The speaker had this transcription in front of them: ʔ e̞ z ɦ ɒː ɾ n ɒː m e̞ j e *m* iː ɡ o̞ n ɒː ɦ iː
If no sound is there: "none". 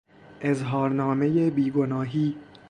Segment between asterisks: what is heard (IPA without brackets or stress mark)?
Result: b